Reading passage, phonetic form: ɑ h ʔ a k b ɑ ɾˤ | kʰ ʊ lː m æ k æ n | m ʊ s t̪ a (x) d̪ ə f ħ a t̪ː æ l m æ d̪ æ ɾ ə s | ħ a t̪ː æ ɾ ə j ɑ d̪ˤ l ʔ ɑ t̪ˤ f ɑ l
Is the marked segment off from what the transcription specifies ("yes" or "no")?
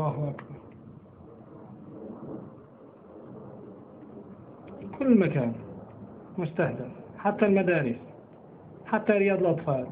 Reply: yes